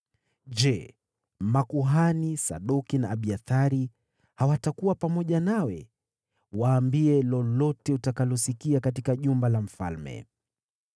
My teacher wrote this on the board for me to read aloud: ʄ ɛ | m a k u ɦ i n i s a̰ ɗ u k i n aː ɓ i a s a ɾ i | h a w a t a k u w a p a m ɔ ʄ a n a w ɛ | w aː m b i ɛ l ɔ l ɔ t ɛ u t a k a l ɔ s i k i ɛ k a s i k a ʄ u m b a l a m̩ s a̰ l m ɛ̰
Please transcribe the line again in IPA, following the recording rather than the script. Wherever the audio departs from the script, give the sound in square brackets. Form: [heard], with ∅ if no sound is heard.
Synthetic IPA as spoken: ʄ ɛ | m a k u ɦ [a] n i s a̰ ɗ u k i n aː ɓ i a [θ] a ɾ i | h a w a t a k u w a p a m ɔ ʄ a n a w ɛ | w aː m b i ɛ l ɔ l ɔ t ɛ u t a k a l ɔ s i k i [a] k a [t] i k a ʄ u m b a l a m̩ [f] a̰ l m ɛ̰